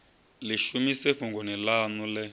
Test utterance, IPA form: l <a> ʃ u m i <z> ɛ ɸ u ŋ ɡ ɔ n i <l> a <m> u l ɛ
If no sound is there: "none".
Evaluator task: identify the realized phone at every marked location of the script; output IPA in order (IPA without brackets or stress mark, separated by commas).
i, s, l, n